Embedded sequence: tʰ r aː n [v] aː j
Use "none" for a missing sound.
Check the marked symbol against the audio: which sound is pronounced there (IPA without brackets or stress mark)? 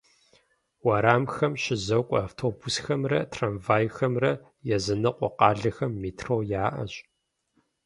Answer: v